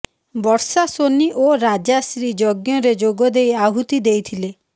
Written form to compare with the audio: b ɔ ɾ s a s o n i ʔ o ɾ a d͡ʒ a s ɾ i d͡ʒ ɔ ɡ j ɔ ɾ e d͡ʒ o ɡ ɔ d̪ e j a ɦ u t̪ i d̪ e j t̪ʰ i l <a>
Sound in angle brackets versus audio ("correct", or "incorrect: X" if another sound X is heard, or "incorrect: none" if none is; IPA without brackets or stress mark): incorrect: e